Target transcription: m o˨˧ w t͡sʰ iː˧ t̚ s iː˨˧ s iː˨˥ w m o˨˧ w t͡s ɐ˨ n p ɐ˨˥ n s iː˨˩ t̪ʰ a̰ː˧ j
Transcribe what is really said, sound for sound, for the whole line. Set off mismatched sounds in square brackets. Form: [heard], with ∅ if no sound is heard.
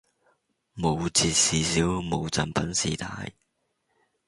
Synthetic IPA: m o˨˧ w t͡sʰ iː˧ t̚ s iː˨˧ s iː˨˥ w m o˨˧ w t͡s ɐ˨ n p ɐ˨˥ n s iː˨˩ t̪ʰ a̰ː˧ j